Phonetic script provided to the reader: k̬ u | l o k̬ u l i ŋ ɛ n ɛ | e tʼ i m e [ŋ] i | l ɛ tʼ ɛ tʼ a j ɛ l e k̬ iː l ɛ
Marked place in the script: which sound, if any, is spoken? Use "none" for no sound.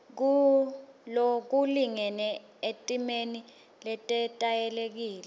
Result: n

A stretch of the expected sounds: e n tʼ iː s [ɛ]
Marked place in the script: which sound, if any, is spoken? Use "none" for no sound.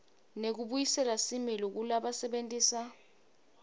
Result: a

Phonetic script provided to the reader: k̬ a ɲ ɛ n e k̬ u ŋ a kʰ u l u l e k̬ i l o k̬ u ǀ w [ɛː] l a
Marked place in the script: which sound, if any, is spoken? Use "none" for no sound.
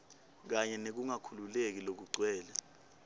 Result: ɛː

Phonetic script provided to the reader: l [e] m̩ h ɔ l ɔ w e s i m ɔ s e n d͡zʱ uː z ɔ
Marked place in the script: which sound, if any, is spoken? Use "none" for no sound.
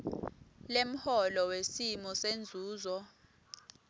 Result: e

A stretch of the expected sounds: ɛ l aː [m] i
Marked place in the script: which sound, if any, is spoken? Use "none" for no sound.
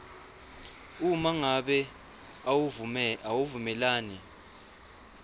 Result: n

